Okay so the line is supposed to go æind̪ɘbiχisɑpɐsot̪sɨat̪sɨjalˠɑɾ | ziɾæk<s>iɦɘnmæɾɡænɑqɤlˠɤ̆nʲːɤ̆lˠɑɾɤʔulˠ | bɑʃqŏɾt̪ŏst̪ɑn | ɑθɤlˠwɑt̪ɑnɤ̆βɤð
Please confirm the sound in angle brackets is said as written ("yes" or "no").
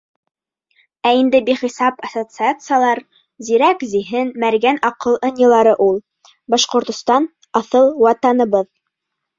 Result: no